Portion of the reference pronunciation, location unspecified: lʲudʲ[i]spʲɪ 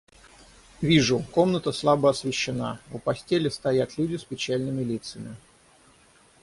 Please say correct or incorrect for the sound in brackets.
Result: incorrect